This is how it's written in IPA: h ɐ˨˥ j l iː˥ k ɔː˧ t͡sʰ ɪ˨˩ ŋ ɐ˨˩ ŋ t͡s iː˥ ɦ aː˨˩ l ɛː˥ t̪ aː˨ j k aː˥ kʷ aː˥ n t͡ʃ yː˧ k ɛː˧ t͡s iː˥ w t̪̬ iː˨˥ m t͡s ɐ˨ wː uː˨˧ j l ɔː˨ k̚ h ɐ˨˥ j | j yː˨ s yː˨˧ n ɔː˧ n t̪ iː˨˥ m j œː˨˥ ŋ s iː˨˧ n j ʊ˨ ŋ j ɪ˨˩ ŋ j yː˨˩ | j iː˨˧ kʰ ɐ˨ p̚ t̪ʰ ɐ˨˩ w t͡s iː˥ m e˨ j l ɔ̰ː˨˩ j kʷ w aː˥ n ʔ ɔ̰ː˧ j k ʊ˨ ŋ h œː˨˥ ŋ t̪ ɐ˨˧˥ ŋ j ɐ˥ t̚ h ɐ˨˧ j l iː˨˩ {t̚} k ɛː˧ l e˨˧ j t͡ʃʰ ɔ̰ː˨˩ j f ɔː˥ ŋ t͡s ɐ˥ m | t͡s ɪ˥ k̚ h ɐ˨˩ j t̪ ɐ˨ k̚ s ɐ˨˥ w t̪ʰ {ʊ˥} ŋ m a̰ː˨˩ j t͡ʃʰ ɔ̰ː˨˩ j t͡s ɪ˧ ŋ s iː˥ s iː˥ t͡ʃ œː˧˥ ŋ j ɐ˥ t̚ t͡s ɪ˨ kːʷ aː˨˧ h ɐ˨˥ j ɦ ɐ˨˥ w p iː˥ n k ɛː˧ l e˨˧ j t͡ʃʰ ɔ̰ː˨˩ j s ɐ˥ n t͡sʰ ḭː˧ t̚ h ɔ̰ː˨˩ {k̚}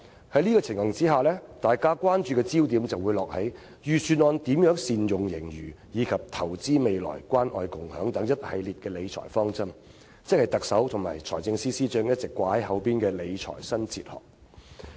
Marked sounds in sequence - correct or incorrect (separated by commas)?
correct, incorrect, correct